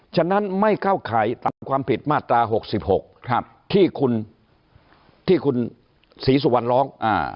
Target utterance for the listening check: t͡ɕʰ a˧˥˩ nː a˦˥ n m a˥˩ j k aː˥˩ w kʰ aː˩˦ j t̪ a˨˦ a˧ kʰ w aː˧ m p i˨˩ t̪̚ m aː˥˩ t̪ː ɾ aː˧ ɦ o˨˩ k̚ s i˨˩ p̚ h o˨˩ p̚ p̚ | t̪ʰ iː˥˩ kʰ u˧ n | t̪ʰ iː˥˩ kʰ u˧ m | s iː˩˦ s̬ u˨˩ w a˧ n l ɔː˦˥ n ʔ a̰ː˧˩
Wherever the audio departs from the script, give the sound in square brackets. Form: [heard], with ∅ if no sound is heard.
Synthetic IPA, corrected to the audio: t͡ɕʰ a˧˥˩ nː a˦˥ n m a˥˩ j k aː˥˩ w kʰ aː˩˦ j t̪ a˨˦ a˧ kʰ w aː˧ m p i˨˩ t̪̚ m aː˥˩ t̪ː ɾ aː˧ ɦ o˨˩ k̚ s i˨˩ p̚ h o˨˩ [k̚] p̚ | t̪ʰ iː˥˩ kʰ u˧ n | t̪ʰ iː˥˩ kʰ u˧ [n] | s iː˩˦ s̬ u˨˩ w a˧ n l ɔː˦˥ [ŋ] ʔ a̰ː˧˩